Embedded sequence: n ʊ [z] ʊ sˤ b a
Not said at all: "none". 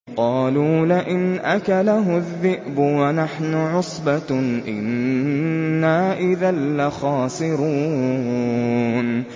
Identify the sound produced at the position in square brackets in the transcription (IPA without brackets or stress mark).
ʕ